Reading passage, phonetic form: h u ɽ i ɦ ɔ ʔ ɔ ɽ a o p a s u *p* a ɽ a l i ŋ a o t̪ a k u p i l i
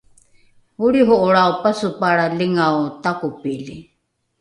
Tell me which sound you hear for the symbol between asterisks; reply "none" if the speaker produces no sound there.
p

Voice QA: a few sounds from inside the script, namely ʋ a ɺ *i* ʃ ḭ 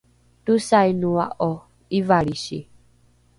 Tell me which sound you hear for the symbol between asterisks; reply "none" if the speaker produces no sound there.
i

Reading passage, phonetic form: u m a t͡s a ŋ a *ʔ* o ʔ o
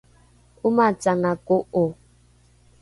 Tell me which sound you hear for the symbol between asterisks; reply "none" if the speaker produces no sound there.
k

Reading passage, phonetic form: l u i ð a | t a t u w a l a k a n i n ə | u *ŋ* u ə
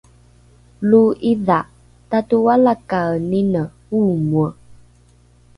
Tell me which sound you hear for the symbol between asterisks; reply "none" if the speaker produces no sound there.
m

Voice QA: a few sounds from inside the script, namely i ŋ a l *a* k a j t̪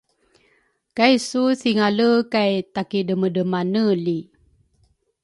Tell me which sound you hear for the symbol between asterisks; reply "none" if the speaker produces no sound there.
ə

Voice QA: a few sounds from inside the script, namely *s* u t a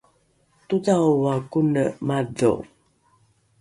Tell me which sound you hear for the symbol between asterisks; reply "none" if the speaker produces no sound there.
t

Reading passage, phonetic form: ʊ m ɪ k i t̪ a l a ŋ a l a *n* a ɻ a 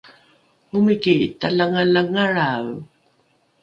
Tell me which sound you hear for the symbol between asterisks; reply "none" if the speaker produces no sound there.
ŋ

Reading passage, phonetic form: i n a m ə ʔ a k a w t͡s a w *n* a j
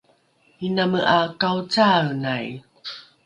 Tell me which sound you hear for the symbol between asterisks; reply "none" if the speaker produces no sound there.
n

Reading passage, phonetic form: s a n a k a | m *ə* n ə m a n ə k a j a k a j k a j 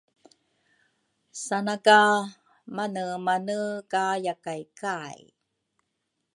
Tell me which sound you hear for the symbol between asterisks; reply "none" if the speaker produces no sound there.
a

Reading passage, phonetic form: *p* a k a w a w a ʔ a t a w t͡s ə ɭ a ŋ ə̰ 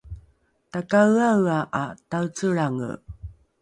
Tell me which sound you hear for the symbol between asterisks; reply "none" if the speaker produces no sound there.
t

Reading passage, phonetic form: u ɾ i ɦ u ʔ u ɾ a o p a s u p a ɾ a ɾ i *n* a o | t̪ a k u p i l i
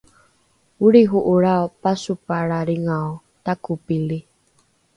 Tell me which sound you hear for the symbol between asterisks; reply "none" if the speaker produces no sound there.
ŋ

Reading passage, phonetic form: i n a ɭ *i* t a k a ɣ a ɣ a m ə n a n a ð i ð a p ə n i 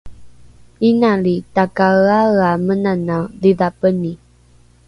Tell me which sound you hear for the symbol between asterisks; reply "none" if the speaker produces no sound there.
i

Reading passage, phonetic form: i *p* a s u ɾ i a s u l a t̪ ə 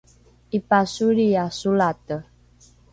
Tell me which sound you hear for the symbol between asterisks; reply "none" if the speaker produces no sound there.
p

